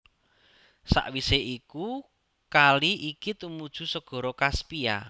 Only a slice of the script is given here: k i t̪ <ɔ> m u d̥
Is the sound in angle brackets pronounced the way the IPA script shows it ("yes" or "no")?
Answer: no